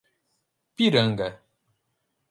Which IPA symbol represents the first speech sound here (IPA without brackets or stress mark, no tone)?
p